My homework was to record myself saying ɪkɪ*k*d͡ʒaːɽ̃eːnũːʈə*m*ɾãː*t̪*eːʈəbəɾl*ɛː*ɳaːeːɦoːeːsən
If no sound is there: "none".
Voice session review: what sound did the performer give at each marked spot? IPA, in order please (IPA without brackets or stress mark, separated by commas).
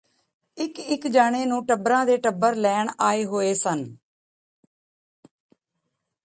k, b, d̪, ɛː